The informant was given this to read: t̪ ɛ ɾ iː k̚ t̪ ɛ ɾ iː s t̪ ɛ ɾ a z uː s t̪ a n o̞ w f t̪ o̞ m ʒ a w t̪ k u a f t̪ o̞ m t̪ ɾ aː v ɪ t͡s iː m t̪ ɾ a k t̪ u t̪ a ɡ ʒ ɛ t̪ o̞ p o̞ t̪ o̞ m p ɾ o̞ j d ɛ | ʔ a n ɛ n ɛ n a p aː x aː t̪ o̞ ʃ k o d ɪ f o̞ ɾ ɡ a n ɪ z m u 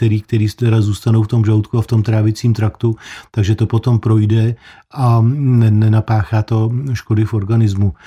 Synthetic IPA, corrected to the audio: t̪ ɛ ɾ iː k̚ t̪ ɛ ɾ iː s t̪ ɛ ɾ a z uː s t̪ a n o̞ w f t̪ o̞ m ʒ a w t̪ k u a f t̪ o̞ m t̪ ɾ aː v ɪ t͡s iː m t̪ ɾ a k t̪ u t̪ a ɡ ʒ ɛ t̪ o̞ p o̞ t̪ o̞ m p ɾ o̞ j d ɛ | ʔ a n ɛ n ɛ n a p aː x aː t̪ o̞ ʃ k o d ɪ f o̞ ɾ ɡ a n ɪ z m u